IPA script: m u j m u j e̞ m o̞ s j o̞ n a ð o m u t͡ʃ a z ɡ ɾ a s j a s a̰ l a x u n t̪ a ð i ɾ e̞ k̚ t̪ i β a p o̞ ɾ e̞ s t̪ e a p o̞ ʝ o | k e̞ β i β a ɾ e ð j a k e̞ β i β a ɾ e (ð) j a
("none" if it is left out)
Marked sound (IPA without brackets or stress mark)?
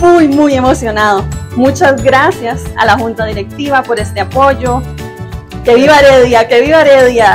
ð